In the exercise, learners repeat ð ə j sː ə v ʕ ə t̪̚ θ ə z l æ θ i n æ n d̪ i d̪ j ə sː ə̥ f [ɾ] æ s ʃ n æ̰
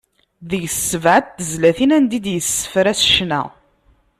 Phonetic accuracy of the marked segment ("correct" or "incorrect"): correct